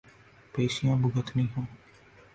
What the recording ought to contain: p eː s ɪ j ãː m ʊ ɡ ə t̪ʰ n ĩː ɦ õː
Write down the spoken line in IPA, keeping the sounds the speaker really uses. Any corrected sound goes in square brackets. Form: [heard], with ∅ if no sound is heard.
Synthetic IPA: p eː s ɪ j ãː [b] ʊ ɡ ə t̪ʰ n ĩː ɦ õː